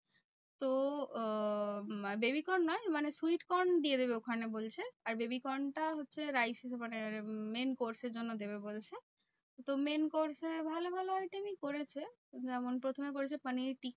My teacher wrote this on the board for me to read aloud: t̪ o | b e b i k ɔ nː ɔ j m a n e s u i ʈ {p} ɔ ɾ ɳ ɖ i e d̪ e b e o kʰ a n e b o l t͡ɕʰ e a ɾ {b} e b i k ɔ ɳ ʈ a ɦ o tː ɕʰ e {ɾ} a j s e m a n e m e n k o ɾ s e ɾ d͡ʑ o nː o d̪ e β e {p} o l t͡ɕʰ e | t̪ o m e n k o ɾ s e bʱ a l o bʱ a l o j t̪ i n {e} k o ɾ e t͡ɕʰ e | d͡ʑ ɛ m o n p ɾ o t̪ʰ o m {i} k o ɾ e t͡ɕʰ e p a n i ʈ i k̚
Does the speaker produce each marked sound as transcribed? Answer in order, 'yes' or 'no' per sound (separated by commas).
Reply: no, yes, yes, no, no, no